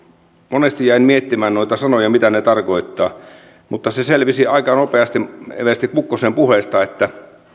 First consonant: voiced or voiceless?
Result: voiced